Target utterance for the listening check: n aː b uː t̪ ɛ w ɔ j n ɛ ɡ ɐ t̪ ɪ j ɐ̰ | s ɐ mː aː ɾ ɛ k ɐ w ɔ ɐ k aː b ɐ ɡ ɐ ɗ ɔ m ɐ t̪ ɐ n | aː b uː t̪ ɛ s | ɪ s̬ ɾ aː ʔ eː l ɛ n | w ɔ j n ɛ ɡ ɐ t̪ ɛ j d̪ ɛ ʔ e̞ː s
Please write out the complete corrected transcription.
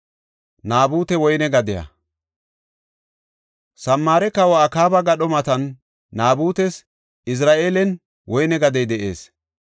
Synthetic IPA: n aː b uː t̪ ɛ w ɔ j n ɛ ɡ ɐ d̪ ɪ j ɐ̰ | s ɐ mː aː ɾ ɛ k ɐ w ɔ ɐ k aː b ɐ ɡ ɐ ɗ ɔ m ɐ t̪ ɐ nː | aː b uː t̪ ɛ s | ɪ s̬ ɾ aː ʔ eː l ɛ n | w ɔ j n ɛ ɡ ɐ d̪ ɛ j d̪ ɛ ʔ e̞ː s